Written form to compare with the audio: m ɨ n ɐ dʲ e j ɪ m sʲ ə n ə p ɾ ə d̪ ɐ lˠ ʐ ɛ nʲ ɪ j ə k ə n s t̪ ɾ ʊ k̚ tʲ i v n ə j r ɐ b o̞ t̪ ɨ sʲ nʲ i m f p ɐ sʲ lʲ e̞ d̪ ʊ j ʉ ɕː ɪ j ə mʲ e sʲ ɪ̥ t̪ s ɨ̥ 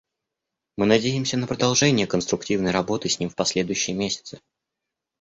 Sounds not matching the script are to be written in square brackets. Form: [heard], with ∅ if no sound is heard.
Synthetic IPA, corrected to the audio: m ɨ n ɐ dʲ e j ɪ m sʲ ə n ə p ɾ ə d̪ ɐ lˠ ʐ ɛ nʲ ɪ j ə k ə n s t̪ ɾ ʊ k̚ tʲ i v n ə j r ɐ b o̞ t̪ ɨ sʲ nʲ i m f p ɐ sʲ lʲ e̞ d̪ ʊ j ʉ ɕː ɪ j ə mʲ e sʲ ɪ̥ t̪ s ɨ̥